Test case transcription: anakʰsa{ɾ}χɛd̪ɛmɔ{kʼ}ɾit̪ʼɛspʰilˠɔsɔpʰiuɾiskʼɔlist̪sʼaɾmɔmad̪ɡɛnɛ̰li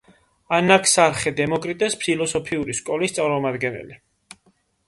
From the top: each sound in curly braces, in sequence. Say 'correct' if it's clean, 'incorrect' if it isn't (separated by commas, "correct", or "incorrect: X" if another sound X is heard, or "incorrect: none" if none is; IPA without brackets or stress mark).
correct, correct